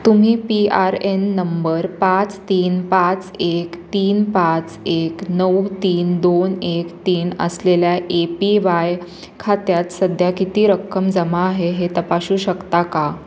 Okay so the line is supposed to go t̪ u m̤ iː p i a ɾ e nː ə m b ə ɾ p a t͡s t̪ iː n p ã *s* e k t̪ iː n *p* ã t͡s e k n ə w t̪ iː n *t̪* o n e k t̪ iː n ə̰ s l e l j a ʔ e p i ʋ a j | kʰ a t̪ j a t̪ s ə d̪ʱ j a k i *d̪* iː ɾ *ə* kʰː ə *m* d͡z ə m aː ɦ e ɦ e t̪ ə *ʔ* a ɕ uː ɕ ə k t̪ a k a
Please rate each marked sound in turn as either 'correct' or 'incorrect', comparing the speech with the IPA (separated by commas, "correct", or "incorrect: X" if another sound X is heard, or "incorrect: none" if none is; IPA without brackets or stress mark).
incorrect: t͡s, correct, incorrect: d̪, incorrect: t̪, correct, correct, incorrect: p